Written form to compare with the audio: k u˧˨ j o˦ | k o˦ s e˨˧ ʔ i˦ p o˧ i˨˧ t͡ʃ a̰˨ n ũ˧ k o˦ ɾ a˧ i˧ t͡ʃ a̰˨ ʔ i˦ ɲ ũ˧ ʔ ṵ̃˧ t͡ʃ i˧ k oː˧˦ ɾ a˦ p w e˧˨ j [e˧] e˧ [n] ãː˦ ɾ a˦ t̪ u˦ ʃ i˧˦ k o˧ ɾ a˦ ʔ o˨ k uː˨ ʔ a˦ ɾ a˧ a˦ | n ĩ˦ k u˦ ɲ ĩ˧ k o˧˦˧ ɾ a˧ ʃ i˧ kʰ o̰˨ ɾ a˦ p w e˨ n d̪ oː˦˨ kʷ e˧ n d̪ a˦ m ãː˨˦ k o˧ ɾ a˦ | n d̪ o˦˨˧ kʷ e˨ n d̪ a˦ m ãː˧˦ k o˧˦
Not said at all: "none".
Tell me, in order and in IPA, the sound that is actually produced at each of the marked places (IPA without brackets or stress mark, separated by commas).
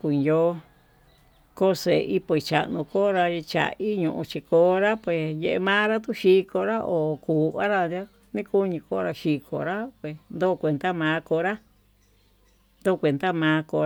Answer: e˧, m